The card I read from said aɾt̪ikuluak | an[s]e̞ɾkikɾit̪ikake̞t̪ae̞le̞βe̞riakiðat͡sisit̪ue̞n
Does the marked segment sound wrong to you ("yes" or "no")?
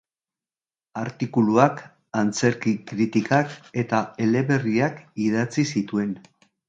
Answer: yes